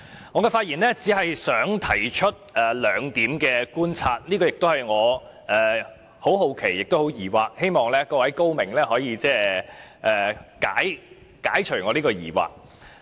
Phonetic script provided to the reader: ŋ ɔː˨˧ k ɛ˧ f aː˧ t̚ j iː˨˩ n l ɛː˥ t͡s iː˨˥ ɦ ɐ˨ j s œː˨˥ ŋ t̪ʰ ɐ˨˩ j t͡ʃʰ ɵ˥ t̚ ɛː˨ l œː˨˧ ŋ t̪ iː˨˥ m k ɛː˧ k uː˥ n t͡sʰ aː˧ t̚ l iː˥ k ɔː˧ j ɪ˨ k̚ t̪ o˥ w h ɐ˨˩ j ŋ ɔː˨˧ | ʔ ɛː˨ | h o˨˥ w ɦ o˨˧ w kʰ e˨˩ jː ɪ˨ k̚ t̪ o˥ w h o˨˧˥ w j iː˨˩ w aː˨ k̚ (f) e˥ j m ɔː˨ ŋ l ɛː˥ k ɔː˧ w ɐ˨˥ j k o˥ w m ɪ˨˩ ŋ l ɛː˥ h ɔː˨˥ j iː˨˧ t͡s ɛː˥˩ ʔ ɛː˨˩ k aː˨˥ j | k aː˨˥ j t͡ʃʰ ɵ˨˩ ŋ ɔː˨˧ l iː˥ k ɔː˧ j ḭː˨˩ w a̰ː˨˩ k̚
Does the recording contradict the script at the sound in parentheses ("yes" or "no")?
yes